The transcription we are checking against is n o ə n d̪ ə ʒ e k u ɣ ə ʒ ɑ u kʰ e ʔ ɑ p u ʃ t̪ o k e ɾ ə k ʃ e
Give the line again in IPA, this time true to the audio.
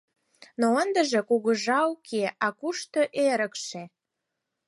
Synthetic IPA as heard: n o ə n d̪ ə ʒ e k u ɣ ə ʒ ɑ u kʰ e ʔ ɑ k u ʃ t̪ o ʔ e ɾ ə k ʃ e